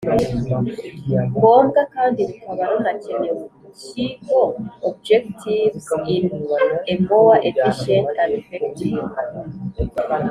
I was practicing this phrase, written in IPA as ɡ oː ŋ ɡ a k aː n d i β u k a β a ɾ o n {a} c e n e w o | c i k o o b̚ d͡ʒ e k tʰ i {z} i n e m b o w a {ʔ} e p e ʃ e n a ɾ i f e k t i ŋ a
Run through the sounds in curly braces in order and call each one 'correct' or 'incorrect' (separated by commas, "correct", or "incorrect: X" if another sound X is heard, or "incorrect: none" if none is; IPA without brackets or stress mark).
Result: correct, incorrect: v, correct